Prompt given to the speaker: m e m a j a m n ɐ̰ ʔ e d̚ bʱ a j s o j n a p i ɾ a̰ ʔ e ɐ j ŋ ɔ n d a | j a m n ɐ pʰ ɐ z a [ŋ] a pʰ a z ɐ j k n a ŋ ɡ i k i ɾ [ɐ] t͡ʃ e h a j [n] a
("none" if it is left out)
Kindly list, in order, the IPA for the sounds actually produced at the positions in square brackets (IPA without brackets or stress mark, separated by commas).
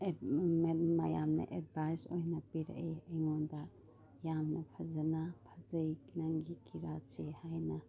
n, a, n